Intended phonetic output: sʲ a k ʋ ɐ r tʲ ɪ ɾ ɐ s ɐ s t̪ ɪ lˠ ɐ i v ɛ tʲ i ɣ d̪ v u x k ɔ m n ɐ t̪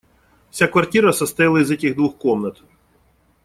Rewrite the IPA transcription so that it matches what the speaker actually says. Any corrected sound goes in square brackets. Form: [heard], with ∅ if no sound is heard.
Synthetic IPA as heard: sʲ a k ʋ ɐ r tʲ [i] ɾ ɐ s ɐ s t̪ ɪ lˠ ɐ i [z] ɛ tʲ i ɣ d̪ [ʋ] u x k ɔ m n ɐ t̪